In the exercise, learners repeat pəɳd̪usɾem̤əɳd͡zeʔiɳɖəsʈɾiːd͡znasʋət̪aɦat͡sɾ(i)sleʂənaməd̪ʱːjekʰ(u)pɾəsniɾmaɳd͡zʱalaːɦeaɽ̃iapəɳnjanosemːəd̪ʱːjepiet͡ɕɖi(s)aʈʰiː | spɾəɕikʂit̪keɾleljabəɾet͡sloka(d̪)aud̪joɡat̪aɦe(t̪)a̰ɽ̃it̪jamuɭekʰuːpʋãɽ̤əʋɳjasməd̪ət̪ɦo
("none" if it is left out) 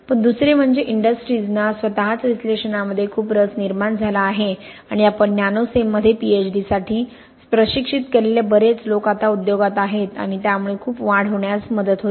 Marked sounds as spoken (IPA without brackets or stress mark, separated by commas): i, uː, s, t̪, t̪